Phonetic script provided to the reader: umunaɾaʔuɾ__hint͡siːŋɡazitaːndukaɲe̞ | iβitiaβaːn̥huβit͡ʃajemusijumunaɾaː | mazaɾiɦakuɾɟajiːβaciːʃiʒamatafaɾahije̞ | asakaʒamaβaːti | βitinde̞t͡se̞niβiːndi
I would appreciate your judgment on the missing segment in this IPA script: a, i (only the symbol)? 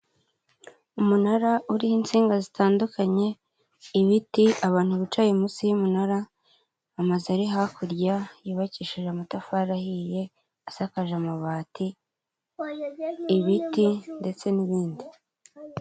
i